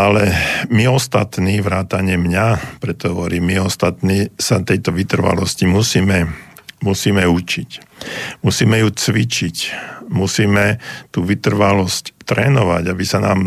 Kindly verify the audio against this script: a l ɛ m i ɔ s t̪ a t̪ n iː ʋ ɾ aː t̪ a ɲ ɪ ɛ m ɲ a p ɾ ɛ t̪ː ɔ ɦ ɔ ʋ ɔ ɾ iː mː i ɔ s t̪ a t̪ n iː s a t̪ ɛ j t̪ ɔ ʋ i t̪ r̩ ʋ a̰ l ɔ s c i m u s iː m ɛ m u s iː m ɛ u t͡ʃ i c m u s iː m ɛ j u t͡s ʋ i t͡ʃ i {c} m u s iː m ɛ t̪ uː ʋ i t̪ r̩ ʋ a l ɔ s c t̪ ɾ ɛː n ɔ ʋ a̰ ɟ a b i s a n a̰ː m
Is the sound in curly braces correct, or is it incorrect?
correct